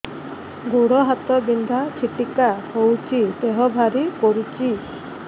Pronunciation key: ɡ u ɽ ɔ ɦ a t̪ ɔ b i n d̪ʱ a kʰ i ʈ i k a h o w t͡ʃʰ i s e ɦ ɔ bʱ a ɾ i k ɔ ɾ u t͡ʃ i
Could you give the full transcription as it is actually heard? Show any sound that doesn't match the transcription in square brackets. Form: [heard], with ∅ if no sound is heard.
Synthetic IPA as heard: ɡ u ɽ ɔ ɦ a t̪ ɔ b i n d̪ʱ a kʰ i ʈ i k a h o w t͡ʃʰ i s e ɦ ɔ bʱ a ɾ i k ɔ ɾ u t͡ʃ i